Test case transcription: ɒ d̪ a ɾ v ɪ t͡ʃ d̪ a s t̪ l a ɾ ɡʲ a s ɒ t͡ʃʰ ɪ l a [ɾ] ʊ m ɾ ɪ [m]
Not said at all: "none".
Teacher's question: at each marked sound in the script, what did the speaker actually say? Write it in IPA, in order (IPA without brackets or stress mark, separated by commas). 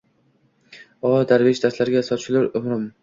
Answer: ɾ, m